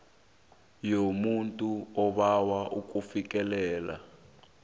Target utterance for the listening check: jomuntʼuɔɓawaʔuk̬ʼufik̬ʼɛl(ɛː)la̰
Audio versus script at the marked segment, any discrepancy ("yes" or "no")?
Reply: no